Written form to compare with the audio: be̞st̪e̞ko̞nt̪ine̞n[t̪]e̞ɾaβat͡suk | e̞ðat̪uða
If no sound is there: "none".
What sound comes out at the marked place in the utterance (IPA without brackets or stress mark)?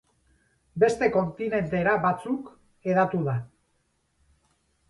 t̪